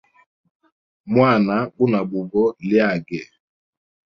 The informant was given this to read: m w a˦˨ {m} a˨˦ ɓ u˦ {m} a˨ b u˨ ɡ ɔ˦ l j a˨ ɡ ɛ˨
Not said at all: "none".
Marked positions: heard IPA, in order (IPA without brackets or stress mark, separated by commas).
n, n